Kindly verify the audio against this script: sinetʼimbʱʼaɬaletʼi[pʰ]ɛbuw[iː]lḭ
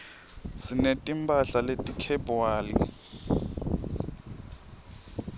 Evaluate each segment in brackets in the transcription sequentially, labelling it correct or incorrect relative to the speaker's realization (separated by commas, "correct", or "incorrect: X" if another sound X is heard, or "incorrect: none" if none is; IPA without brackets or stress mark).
incorrect: kʰ, incorrect: aː